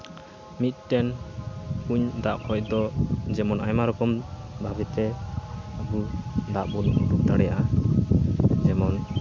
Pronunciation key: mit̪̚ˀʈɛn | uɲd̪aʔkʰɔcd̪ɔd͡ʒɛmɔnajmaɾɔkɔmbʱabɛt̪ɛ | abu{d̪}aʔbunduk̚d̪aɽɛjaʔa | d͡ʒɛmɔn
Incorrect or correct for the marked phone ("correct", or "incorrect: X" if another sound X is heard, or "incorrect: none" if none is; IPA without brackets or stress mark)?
correct